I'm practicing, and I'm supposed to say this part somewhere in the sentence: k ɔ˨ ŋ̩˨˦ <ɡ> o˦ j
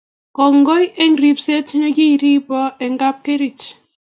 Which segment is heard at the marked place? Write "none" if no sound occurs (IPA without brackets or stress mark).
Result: ɡ